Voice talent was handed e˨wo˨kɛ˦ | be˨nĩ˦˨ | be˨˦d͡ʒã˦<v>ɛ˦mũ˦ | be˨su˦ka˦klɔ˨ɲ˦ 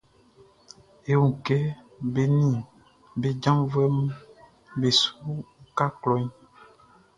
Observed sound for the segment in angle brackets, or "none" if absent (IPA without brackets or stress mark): v